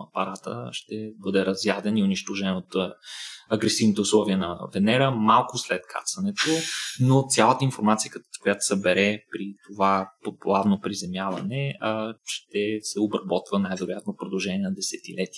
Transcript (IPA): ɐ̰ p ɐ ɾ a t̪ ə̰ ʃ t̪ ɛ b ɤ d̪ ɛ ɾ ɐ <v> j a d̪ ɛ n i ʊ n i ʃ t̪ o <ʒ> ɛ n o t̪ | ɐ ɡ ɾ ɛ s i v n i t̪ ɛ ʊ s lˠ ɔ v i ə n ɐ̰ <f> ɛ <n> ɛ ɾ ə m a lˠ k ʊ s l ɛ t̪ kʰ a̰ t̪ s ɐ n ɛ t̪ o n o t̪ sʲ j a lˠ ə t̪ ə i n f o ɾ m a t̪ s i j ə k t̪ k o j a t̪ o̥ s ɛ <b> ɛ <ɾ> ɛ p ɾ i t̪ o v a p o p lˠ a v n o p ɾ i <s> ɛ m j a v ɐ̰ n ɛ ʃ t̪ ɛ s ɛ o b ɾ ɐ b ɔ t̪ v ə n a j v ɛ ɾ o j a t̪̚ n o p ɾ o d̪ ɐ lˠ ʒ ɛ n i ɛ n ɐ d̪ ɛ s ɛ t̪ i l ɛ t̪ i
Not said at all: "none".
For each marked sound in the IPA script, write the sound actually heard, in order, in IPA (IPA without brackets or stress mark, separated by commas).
z, ʒ, v, n, b, ɾ, z